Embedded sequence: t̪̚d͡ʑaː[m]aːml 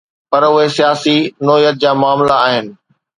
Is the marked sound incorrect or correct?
correct